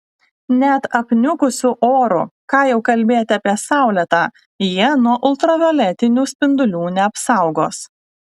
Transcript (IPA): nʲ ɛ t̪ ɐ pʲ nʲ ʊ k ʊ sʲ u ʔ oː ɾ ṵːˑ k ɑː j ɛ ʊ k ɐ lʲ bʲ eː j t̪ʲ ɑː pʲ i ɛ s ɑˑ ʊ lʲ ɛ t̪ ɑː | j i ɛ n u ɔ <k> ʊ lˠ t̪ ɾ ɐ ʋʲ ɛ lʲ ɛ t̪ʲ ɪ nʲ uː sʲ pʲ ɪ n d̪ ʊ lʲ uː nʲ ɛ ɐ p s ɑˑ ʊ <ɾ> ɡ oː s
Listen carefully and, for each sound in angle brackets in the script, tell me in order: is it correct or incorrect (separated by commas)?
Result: incorrect, incorrect